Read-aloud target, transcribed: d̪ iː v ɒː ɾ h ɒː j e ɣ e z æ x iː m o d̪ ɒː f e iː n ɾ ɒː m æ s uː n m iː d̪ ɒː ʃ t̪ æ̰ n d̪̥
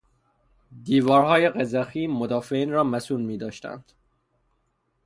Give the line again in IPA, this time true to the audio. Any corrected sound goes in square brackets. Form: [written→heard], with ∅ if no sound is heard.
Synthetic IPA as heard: d̪ iː v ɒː ɾ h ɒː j e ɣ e z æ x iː m o d̪ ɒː f e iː n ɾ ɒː m æ s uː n m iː d̪ ɒː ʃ t̪ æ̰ n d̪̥